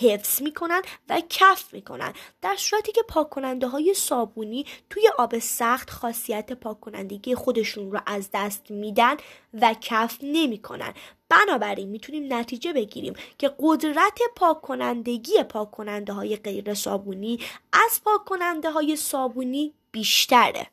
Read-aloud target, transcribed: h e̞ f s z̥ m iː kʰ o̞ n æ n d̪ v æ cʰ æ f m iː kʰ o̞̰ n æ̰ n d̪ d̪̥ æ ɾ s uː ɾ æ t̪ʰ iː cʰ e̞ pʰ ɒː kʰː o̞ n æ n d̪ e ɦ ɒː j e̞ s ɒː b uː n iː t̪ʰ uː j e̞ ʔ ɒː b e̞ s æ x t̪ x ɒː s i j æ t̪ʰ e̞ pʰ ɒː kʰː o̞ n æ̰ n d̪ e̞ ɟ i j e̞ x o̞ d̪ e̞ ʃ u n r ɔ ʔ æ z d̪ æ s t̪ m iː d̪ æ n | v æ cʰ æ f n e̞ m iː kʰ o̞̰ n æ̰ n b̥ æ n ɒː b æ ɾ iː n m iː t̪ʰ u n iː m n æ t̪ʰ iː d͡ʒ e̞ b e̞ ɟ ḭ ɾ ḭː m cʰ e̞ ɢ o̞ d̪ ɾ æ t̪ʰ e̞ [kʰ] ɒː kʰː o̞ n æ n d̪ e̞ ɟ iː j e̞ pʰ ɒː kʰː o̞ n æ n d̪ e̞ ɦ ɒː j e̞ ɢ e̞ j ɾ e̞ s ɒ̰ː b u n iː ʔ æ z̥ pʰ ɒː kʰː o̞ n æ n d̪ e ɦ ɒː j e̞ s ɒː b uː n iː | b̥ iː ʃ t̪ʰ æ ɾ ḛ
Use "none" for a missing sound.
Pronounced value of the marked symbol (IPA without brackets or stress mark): pʰ